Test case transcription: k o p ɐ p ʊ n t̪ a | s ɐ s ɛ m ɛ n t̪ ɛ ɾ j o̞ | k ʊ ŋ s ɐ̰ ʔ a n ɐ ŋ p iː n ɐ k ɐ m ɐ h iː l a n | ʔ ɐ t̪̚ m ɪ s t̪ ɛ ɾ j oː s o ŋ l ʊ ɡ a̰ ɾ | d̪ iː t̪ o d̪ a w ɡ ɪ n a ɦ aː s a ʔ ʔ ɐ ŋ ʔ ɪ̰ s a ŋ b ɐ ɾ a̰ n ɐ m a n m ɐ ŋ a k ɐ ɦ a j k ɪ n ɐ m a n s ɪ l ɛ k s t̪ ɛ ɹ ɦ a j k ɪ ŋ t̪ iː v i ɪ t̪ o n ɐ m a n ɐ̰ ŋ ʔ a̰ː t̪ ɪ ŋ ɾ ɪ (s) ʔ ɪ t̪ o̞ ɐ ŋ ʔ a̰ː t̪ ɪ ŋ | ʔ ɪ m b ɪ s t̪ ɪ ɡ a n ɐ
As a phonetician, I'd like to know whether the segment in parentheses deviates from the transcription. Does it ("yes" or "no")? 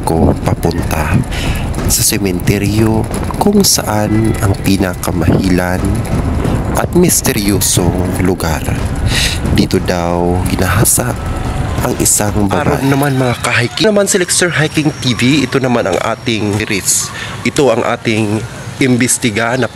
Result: no